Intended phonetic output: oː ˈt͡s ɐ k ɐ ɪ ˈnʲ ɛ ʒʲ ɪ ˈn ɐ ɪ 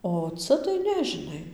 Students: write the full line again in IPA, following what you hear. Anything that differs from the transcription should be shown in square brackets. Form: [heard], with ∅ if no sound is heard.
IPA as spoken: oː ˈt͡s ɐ [t] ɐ ɪ ˈnʲ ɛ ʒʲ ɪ ˈn ɐ ɪ